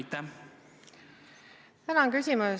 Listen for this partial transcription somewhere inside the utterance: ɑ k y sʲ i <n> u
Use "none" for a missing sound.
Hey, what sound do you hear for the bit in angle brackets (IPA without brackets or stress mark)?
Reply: m